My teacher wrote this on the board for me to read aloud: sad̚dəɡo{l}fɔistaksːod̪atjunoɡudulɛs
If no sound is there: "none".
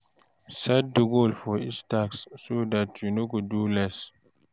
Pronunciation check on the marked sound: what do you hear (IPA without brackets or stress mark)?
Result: l